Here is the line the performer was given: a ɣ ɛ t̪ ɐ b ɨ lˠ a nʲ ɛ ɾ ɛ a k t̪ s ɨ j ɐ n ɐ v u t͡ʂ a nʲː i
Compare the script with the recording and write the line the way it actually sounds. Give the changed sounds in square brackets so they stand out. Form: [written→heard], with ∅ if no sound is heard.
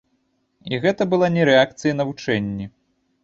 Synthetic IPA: [a→i] ɣ ɛ t̪ ɐ b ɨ lˠ a nʲ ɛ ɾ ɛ a k t̪ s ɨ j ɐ n ɐ v u t͡ʂ [a→ɛ] nʲː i